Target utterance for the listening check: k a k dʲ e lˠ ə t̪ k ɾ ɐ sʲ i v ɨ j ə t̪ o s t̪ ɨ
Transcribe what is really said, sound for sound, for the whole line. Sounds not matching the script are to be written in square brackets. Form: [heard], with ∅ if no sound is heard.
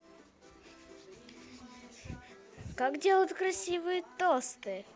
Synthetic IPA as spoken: k a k dʲ e lˠ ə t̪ k ɾ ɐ sʲ i v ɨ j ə t̪ o s t̪ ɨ